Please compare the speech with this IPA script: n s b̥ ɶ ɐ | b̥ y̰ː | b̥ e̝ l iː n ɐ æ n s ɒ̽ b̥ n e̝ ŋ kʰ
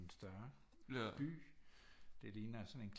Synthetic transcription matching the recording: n s d̥ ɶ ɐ | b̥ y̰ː | d̥ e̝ l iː n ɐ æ s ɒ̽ n e̝ n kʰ